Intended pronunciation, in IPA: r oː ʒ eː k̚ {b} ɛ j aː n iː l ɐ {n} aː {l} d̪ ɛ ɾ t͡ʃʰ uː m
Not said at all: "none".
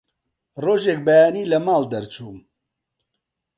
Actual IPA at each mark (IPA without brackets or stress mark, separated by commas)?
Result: b, m, l